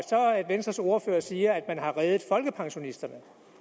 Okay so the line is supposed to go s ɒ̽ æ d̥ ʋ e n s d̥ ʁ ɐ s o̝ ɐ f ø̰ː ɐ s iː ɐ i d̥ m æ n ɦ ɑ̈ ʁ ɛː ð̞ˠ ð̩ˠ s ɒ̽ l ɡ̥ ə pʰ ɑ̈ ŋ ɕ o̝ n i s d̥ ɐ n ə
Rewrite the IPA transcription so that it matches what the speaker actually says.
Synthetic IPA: s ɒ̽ æ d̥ ʋ e n s d̥ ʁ ɐ s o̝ ɐ f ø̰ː ɐ s iː ɐ æ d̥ m æ n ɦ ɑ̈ ʁ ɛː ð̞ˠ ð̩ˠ f ɒ̽ l ɡ̥ ə pʰ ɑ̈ ŋ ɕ o̝ n i s d̥ ɐ n ə